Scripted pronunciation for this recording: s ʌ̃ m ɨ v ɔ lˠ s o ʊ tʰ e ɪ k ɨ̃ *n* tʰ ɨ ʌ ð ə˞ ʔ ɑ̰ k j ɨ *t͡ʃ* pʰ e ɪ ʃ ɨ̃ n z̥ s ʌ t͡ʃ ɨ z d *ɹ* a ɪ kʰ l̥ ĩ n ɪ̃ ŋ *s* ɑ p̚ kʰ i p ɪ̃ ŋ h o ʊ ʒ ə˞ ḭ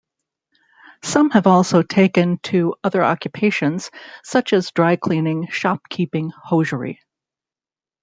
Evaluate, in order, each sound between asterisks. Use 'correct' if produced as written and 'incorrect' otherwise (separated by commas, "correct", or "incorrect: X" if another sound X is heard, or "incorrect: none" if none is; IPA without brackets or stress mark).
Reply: correct, incorrect: none, correct, incorrect: ʃ